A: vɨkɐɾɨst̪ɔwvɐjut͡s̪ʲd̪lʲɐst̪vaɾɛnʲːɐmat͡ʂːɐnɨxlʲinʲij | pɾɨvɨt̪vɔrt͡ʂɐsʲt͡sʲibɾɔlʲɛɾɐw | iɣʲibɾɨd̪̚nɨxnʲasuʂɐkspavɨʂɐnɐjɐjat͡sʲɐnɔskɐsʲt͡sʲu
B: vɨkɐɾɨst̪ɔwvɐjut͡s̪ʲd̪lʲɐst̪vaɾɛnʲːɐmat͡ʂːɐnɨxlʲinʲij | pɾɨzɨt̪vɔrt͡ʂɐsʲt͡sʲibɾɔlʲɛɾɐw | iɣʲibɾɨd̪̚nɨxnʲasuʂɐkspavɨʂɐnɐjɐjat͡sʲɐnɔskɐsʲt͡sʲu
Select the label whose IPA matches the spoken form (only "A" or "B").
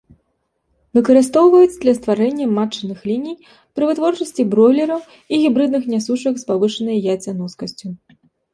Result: A